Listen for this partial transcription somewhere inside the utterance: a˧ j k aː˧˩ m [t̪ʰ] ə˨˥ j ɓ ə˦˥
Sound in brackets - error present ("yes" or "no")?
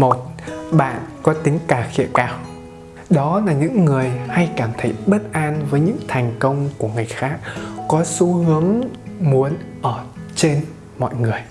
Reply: no